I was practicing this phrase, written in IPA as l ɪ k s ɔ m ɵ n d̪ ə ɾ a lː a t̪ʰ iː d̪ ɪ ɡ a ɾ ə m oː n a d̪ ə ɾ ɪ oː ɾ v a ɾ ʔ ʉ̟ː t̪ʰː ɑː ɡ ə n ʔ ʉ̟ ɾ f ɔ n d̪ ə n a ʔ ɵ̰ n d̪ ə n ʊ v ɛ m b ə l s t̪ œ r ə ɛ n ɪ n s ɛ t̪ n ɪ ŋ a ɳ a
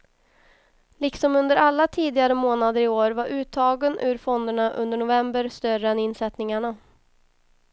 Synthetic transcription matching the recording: l ɪ k s ɔ m ɵ n d̪ ə ɾ a lː a t̪ʰ iː d̪ ɪ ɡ a ɾ ə m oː n a d̪ ə ɾ ɪ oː ɾ v a ɾ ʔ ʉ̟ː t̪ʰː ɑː ɡ ə n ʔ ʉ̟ ɾ f ɔ n d̪ ə ɳ a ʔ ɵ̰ n d̪ ə ɳ ʊ v ɛ m b ə ɾ s t̪ œ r ə ɛ n ɪ n s ɛ t̪ n ɪ ŋ a ɳ a